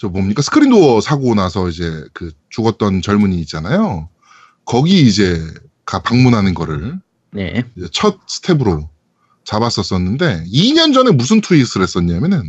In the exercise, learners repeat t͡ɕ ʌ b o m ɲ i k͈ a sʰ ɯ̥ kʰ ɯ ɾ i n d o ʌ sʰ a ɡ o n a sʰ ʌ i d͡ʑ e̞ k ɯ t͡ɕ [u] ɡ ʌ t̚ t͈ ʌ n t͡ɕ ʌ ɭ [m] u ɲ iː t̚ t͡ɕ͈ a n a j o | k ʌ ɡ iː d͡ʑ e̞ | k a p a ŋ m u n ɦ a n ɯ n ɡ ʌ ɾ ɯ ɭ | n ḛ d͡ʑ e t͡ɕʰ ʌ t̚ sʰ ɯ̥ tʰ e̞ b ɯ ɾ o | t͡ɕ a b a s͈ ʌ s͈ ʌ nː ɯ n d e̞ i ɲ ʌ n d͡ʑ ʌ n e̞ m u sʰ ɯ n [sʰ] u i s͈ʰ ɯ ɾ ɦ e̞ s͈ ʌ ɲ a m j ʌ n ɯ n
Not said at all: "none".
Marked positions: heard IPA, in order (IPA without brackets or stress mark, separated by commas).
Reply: u, m, tʰ